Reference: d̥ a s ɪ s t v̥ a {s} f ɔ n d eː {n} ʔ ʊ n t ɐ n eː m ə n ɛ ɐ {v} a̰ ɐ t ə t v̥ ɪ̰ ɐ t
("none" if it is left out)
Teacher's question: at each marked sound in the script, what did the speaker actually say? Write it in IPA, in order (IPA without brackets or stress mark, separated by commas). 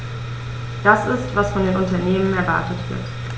s, n, v